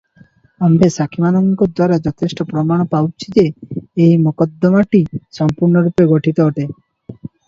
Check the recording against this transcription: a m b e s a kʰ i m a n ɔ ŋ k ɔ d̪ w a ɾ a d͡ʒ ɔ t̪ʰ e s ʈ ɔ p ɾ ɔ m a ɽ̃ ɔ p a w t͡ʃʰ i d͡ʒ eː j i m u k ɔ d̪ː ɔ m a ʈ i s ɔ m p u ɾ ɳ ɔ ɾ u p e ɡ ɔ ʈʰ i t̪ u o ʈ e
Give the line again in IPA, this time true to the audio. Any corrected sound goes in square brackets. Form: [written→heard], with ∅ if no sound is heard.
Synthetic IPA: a m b e s a kʰ i m a n ɔ ŋ k ɔ d̪ w a ɾ a d͡ʒ ɔ t̪ʰ e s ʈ ɔ p ɾ ɔ m a ɽ̃ ɔ p a w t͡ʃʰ i d͡ʒ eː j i m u k ɔ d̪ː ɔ m a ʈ i s ɔ m p u ɾ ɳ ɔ ɾ u p e ɡ ɔ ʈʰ i t̪ [u→ɔ] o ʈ e